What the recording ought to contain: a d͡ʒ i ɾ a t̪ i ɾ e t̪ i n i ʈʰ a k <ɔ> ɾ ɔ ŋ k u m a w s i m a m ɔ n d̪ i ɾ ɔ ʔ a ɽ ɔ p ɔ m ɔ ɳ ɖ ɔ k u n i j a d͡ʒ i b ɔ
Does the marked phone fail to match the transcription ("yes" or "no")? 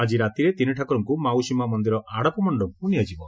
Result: no